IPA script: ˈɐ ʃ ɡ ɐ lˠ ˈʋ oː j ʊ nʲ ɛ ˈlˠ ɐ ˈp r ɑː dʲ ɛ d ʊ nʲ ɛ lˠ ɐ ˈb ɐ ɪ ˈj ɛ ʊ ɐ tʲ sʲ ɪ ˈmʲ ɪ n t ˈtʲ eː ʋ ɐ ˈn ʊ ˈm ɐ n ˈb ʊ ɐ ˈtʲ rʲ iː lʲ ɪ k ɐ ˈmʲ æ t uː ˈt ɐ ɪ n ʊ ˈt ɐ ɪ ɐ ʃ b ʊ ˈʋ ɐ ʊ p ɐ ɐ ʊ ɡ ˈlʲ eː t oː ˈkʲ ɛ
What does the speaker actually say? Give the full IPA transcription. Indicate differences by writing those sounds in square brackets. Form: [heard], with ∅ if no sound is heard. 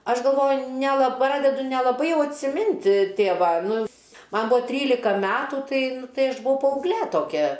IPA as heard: ˈɐ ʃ ɡ ɐ lˠ ˈʋ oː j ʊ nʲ ɛ ˈlˠ ɐ ˈp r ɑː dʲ ɛ d ʊ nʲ ɛ lˠ ɐ ˈb ɐ ɪ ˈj ɛ ʊ ɐ tʲ sʲ ɪ ˈmʲ ɪ n t ˈtʲ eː ʋ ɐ ˈn ʊ ˈm ɐ n ˈb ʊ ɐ ˈtʲ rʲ iː lʲ ɪ k ɐ ˈmʲ [æː] t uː ˈt ɐ ɪ n ʊ ˈt ɐ ɪ ɐ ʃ b ʊ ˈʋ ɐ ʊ p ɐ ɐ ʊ ɡ ˈlʲ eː t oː ˈkʲ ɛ

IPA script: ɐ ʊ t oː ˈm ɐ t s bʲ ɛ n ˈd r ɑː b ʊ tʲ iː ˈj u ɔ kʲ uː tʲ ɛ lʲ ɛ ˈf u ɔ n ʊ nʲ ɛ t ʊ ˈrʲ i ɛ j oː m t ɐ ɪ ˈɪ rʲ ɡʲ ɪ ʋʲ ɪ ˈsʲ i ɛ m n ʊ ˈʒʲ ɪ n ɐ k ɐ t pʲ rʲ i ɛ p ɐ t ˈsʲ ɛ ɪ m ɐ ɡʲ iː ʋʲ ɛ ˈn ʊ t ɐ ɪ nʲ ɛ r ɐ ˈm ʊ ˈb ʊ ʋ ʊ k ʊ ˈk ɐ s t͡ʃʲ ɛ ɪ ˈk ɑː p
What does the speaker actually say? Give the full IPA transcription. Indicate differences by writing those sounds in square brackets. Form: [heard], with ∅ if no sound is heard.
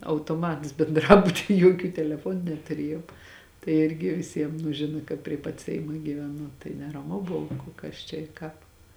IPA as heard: ɐ ʊ t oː ˈm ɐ t s bʲ ɛ n ˈd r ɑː b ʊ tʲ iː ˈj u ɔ kʲ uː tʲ ɛ lʲ ɛ ˈf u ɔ n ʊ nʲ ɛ t ʊ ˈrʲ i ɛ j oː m t ɐ ɪ ˈɪ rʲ ɡʲ ɪ ʋʲ ɪ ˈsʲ i ɛ m n ʊ ˈʒʲ ɪ n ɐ k ɐ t pʲ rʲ i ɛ p ɐ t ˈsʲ ɛ ɪ m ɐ ɡʲ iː ʋʲ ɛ ˈn ʊ t ɐ ɪ nʲ ɛ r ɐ ˈm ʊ ˈb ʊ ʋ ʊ k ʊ ˈk ɐ s t͡ʃʲ ɛ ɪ ˈk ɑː p

